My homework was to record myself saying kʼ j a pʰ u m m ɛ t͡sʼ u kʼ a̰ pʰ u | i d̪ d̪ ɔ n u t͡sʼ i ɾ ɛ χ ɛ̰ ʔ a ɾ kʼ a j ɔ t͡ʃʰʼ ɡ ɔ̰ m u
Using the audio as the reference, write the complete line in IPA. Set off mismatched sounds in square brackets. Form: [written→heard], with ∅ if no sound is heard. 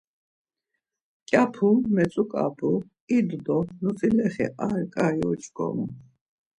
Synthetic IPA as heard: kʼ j a pʰ u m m ɛ t͡sʼ u kʼ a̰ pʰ u | i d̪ d̪ ɔ n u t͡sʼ i [ɾ→l] ɛ χ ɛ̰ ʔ a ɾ kʼ a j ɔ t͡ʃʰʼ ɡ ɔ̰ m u